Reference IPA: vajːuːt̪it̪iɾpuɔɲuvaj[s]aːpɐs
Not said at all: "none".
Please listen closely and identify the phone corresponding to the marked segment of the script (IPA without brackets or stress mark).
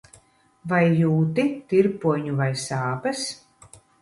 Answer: s